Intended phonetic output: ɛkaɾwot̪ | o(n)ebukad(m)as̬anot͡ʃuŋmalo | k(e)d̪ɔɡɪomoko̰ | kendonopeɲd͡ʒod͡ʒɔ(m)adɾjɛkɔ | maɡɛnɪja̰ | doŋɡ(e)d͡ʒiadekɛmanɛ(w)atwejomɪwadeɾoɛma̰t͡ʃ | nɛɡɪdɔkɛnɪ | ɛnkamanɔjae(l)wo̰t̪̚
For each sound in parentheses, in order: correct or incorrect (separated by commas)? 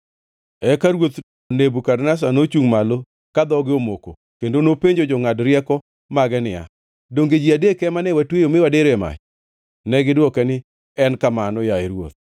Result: correct, incorrect, incorrect, incorrect, correct, correct, incorrect